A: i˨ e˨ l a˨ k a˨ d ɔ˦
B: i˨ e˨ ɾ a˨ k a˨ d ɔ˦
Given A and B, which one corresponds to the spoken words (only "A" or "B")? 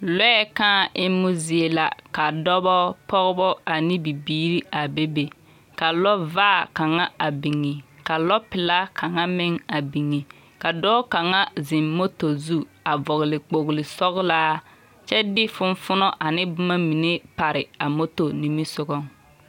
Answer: A